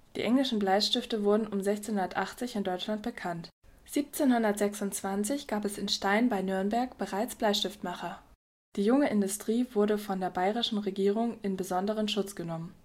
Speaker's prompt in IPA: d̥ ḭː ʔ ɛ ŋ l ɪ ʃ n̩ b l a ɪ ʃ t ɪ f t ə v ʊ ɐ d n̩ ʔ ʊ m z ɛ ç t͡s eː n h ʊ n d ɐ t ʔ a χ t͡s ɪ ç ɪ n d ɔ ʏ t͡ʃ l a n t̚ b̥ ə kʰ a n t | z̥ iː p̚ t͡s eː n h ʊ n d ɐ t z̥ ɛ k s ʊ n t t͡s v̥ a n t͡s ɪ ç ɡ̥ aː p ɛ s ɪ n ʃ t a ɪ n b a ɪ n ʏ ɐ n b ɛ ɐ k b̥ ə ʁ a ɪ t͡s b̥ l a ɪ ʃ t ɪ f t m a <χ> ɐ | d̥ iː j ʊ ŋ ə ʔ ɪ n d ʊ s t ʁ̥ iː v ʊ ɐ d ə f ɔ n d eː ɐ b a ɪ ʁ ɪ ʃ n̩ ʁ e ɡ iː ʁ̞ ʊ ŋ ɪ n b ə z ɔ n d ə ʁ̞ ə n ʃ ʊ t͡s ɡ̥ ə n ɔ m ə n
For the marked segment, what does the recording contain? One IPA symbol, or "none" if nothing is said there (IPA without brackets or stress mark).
χ